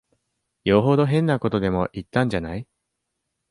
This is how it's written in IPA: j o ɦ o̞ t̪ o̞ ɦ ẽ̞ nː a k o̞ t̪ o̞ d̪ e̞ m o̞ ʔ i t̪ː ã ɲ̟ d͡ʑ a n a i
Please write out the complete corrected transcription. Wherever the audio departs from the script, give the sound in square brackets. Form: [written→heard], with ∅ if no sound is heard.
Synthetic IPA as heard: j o ɦ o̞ [t̪→d̪] o̞ ɦ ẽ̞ nː a k o̞ t̪ o̞ d̪ e̞ m o̞ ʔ i t̪ː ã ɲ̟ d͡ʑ a n a i